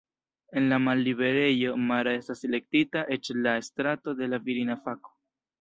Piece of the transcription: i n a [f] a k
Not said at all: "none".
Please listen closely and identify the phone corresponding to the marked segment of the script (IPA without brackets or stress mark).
f